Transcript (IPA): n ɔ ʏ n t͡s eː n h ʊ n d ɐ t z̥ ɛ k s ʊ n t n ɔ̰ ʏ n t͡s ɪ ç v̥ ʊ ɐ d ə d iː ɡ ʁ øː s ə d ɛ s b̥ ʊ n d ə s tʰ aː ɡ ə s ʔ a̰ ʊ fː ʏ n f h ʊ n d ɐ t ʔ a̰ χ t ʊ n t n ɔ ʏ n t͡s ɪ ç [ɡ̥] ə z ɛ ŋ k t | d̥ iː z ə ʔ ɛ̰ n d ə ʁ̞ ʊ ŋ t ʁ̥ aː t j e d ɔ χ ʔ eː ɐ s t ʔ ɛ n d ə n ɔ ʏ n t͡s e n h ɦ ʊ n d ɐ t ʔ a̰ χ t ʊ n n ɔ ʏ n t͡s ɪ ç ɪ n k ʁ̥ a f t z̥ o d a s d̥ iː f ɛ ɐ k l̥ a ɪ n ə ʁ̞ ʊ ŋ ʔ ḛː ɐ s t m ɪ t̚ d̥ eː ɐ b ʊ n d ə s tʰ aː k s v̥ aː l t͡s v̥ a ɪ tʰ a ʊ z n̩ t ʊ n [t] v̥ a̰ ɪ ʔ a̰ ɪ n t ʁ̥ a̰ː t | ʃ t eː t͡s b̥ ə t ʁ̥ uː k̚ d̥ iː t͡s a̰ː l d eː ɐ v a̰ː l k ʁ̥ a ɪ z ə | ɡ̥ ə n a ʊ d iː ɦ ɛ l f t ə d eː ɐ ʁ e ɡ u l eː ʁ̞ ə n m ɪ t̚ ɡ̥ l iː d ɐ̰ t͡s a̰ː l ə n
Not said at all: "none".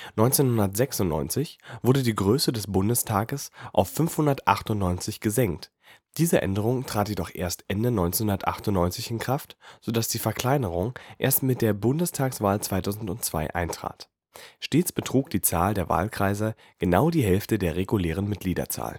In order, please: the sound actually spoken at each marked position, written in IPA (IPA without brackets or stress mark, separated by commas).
ɡ̥, t͡s